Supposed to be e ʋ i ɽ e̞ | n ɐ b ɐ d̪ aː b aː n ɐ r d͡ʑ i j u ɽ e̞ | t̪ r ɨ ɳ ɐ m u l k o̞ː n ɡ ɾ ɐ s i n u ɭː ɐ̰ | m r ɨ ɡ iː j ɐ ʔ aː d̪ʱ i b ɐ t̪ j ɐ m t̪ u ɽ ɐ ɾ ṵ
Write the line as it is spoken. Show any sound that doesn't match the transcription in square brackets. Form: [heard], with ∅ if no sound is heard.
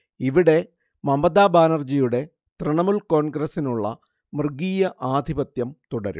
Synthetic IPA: [i] ʋ i ɽ e̞ | [m] ɐ [m] ɐ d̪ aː b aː n ɐ r d͡ʑ i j u ɽ e̞ | t̪ r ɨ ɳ ɐ m u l k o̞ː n ɡ ɾ ɐ s i n u ɭː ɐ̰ | m r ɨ ɡ iː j ɐ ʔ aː d̪ʱ i b ɐ t̪ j ɐ m t̪ u ɽ ɐ ɾ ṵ